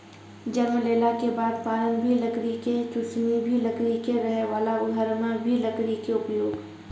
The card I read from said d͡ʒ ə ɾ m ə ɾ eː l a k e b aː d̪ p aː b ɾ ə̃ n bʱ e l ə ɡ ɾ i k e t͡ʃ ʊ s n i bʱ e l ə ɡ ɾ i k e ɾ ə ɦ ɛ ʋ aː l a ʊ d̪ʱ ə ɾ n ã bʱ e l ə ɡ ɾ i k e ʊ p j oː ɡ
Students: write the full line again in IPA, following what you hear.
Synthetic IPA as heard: d͡ʒ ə ɾ m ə l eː l a k e b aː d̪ p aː ɾ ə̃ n bʱ i l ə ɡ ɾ i k e t͡ʃ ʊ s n i bʱ i l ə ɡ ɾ i k e ɾ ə ɦ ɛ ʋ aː l a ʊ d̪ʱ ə ɾ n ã bʱ i l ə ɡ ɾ i k e ʊ p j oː ɡ

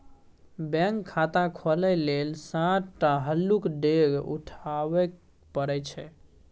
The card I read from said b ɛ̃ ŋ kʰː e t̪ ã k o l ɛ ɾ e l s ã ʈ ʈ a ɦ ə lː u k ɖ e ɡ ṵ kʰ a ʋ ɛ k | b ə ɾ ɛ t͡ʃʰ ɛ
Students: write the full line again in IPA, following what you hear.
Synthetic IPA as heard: b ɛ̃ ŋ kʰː a t̪ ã kʰ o l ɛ l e l s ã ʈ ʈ a ɦ ə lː u k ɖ e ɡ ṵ ʈʰ a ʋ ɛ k | p ə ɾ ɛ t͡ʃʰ ɛ

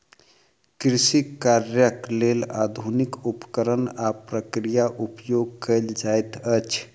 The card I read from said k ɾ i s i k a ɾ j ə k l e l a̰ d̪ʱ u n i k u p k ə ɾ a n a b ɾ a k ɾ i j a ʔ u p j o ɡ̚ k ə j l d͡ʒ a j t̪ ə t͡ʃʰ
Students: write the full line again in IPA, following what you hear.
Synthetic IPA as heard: k ɾ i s i k a ɾ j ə k l e l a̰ d̪ʱ u n i k u p k ə ɾ ə n a p ɾ ə k ɾ i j a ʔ u p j o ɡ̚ k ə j l d͡ʒ a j t̪ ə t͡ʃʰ

